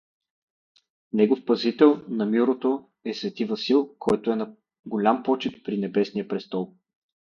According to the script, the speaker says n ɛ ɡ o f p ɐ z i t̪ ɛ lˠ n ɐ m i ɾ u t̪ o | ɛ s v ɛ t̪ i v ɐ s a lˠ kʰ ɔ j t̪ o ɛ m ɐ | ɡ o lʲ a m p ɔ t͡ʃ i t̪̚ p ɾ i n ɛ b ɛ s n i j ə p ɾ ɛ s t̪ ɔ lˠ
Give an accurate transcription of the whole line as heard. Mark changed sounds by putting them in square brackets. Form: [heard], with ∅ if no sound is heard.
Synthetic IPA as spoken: n ɛ ɡ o f p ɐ z i t̪ ɛ lˠ n ɐ m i ɾ [o] t̪ o | ɛ s v ɛ t̪ i v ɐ s [i] lˠ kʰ ɔ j t̪ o ɛ [n] ɐ | ɡ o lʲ a m p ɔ t͡ʃ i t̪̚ p ɾ i n ɛ b ɛ s n i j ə p ɾ ɛ s t̪ ɔ lˠ